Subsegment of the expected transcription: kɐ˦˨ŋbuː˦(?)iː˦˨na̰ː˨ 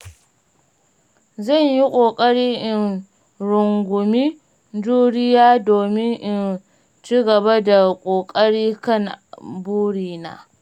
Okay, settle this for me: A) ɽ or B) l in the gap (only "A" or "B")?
A